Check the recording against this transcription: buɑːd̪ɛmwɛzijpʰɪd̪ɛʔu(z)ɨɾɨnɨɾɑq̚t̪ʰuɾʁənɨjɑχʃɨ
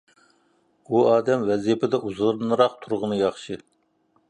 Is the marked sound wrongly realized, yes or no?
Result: no